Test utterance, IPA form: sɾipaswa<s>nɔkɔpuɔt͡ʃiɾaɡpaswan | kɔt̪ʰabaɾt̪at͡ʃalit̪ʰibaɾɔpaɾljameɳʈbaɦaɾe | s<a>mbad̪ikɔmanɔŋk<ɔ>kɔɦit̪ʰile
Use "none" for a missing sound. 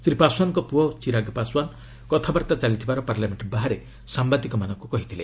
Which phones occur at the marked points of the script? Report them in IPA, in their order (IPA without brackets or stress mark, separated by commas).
none, a, u